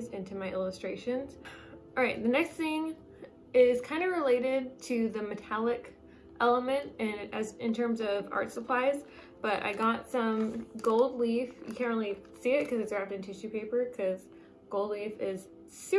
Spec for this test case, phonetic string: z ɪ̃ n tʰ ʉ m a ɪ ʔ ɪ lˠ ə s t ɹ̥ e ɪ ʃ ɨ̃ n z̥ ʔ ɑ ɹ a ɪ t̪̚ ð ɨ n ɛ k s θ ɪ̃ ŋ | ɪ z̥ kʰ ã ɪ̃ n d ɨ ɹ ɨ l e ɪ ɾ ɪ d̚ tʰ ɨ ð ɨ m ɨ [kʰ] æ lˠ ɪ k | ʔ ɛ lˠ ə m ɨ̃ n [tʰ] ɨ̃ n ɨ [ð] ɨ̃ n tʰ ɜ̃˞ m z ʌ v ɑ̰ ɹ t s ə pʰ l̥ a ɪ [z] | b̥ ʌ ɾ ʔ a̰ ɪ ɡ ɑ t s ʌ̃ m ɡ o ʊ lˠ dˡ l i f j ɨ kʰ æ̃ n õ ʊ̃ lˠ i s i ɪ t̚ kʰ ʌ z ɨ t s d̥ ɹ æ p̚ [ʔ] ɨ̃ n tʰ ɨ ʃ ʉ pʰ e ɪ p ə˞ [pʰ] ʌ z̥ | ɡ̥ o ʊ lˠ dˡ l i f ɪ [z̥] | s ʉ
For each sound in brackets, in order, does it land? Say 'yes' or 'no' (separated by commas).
no, no, no, yes, no, no, yes